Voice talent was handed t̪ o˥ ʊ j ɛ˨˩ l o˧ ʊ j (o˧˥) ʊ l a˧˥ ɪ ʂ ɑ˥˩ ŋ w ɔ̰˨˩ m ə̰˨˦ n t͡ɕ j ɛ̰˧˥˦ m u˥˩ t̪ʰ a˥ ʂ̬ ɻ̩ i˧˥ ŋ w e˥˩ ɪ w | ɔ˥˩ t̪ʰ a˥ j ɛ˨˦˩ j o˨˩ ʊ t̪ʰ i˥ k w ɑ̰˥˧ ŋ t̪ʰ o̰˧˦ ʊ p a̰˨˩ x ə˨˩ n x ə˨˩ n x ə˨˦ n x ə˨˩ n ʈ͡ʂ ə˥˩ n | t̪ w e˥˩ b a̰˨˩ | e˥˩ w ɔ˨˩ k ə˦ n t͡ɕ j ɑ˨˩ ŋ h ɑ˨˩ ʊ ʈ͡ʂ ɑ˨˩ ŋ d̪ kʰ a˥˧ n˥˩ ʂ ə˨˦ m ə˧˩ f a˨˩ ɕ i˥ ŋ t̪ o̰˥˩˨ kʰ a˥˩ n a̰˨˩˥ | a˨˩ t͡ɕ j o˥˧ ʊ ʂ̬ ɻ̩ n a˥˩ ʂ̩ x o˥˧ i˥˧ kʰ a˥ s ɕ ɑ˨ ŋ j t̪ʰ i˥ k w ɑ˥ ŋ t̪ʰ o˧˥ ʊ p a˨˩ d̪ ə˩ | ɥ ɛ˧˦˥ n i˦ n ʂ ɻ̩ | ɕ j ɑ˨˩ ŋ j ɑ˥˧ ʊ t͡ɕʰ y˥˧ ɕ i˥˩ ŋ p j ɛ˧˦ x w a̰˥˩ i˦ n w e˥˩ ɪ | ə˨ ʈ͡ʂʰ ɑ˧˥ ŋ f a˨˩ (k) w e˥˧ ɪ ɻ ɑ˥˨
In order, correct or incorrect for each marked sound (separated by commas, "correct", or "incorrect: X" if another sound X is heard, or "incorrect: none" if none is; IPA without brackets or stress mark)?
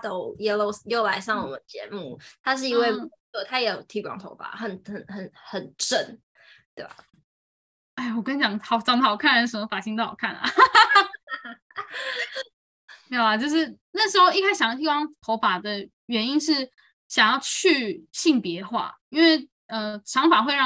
incorrect: o˥˩, incorrect: x